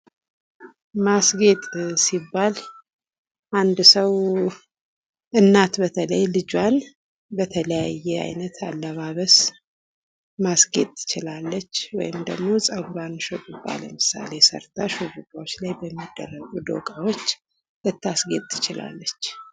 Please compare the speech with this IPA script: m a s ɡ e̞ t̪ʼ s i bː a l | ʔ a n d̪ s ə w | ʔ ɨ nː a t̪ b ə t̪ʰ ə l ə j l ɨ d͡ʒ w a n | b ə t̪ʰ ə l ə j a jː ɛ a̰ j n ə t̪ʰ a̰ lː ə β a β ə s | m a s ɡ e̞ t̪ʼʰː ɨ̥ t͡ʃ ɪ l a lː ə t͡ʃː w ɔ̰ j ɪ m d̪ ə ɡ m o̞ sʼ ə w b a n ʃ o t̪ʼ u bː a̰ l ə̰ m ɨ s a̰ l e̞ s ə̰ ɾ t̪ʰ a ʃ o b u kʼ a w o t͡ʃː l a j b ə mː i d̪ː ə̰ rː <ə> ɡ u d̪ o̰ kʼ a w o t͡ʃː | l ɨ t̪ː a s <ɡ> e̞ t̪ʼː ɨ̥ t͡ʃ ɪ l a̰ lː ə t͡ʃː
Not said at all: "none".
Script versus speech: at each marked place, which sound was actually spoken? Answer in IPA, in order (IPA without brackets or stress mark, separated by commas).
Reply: ə, ɡ